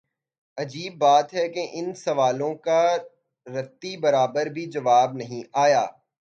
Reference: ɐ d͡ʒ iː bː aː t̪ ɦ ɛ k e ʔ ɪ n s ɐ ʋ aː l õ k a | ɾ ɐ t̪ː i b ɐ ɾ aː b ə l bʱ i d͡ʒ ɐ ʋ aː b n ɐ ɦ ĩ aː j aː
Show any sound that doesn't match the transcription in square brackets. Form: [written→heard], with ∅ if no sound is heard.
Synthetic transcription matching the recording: ɐ d͡ʒ iː bː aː t̪ ɦ ɛ k e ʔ ɪ n s ɐ ʋ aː l õ k a | ɾ ɐ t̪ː i b ɐ ɾ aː b ə [l→ɾ] bʱ i d͡ʒ ɐ ʋ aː b n ɐ ɦ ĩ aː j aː

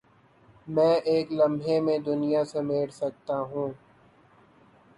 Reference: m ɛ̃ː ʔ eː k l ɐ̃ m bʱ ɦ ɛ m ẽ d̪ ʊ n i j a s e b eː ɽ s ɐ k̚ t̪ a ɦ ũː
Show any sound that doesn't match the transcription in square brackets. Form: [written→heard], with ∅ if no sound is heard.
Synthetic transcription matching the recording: m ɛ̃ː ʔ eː k l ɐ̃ m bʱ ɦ [ɛ→e] m ẽ d̪ ʊ n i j a s e [b→m] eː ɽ s ɐ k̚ t̪ a ɦ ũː

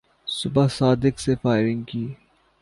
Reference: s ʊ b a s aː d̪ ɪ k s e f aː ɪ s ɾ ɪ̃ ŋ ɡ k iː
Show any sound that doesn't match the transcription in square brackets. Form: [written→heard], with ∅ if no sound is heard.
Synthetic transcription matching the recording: s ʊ b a s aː d̪ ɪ k s e f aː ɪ [s→∅] ɾ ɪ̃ ŋ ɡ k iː

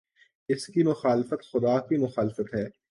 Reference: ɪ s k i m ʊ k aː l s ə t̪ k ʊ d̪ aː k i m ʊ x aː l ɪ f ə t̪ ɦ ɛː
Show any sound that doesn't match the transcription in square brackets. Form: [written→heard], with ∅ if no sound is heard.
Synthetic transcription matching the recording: ɪ s k i m ʊ [k→x] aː l [s→f] ə t̪ [k→x] ʊ d̪ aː k i m ʊ x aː l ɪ f ə t̪ ɦ ɛː

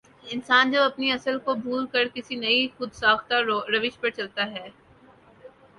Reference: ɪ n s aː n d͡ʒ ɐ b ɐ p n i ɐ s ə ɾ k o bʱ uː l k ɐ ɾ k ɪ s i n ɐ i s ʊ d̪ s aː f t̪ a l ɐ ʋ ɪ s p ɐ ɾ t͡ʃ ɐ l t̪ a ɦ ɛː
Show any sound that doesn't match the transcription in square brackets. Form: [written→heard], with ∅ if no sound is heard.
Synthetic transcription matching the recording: ɪ n s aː n d͡ʒ ɐ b ɐ p n i ɐ s ə [ɾ→l] k o bʱ uː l k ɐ ɾ k ɪ s i n ɐ i [s→x] ʊ d̪ s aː [f→x] t̪ a [l→ɾ] ɐ ʋ ɪ [s→ʃ] p ɐ ɾ t͡ʃ ɐ l t̪ a ɦ ɛː

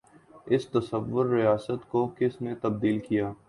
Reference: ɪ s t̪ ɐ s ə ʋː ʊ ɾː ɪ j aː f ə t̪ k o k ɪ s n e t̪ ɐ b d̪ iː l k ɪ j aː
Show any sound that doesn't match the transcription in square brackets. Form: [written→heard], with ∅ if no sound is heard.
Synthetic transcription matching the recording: ɪ s t̪ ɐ s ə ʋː ʊ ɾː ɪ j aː [f→s] ə t̪ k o k ɪ s n e t̪ ɐ b d̪ iː l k [ɪ→i] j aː

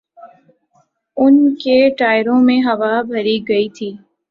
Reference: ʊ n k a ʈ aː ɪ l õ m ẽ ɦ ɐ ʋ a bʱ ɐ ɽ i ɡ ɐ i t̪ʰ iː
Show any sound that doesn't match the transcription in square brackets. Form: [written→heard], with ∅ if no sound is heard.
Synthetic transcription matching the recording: ʊ n k [a→e] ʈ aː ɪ [l→ɾ] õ m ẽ ɦ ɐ ʋ a bʱ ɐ [ɽ→ɾ] i ɡ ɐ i t̪ʰ iː

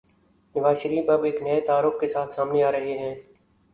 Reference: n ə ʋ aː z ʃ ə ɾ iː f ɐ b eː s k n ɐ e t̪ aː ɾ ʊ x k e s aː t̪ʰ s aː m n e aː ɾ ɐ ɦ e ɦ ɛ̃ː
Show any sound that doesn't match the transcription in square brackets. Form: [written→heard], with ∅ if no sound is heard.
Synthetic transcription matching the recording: n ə ʋ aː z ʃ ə ɾ iː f ɐ b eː [s→∅] k n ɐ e t̪ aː ɾ ʊ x k e s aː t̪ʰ s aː m n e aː ɾ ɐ ɦ e ɦ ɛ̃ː

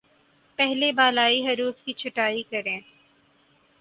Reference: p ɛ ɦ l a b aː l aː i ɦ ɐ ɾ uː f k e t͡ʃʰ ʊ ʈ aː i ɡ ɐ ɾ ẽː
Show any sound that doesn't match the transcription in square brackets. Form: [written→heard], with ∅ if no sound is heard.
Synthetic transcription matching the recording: p ɛ ɦ l [a→e] b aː l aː i ɦ ɐ ɾ uː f k [e→i] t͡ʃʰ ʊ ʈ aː i [ɡ→k] ɐ ɾ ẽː

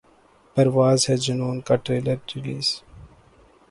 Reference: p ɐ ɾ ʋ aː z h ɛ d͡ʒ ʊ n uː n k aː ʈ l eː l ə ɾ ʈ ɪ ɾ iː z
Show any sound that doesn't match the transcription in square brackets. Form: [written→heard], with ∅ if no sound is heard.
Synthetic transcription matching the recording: p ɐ ɾ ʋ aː z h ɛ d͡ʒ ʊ n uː n k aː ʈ [l→ɾ] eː l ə ɾ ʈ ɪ [ɾ→l] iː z

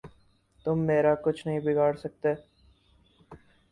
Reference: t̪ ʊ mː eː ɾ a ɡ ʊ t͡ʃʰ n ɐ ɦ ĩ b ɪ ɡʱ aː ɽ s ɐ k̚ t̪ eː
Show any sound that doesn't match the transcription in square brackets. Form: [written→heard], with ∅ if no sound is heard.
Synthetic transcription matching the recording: t̪ ʊ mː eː ɾ a [ɡ→k] ʊ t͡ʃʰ n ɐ ɦ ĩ b ɪ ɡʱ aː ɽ s ɐ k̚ t̪ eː

